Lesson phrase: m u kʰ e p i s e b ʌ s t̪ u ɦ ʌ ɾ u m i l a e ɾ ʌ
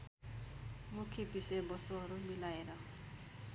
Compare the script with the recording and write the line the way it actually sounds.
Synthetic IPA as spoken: m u kʰ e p i s e b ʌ s t̪ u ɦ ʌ ɾ u m i l a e ɾ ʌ